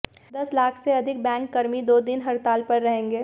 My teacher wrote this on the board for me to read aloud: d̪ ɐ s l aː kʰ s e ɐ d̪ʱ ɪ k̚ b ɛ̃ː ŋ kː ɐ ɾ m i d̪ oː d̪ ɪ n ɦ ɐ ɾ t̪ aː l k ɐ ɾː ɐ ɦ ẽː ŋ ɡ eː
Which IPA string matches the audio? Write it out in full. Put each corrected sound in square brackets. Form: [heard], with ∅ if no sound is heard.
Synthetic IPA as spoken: d̪ ɐ s l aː kʰ s e ɐ d̪ʱ ɪ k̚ b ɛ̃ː ŋ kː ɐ ɾ m i d̪ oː d̪ ɪ n ɦ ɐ ɾ t̪ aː l [p] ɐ ɾː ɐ ɦ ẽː ŋ ɡ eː